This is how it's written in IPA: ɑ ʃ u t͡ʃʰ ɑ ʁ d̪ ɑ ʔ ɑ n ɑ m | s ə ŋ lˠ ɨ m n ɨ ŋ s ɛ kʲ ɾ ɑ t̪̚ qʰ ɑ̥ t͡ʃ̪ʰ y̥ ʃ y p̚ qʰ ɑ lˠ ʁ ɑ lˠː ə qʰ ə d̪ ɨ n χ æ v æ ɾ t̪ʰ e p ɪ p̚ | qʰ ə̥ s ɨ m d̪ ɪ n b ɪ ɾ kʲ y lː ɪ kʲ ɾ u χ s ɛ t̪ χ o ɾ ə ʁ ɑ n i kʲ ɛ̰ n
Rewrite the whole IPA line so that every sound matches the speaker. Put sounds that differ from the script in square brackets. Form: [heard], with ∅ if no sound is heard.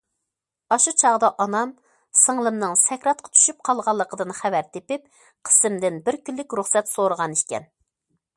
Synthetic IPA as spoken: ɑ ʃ u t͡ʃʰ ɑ ʁ d̪ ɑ ʔ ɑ n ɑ m | s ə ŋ lˠ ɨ m n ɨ ŋ s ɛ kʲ ɾ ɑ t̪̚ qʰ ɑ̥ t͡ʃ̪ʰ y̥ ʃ y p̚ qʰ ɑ lˠ ʁ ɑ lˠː ə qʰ ə d̪ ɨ n χ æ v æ ɾ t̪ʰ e p ɪ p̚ | qʰ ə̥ s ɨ m d̪ ɪ n b ɪ ɾ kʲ y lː ɪ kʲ ɾ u χ s ɛ t̪ [s] o ɾ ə ʁ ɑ n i kʲ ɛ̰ n